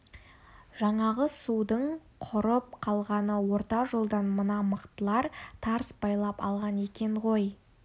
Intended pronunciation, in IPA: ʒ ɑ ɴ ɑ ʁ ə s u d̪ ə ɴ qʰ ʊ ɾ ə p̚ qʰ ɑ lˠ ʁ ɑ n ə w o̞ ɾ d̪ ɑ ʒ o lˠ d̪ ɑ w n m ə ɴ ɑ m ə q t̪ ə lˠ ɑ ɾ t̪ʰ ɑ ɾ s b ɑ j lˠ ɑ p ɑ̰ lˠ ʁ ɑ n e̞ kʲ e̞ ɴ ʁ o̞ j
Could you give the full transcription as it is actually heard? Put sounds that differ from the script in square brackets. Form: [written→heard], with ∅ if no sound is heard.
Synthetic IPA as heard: ʒ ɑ ɴ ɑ ʁ ə s u d̪ ə ɴ qʰ ʊ ɾ ə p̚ qʰ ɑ lˠ ʁ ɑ n ə w o̞ ɾ [d̪→t̪] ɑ ʒ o lˠ d̪ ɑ [w→∅] n m ə [ɴ→n] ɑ m ə q t̪ ə lˠ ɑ ɾ t̪ʰ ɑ ɾ s b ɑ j lˠ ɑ p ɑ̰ lˠ ʁ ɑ n e̞ kʲ e̞ ɴ ʁ o̞ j